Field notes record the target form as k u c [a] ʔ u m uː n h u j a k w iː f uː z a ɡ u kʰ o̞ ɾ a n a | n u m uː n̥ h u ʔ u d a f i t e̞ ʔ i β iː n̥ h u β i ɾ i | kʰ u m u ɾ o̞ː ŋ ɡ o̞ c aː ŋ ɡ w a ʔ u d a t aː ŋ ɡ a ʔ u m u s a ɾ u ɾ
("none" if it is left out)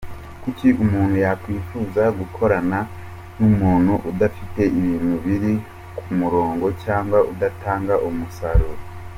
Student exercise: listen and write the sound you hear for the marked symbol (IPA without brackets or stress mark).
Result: i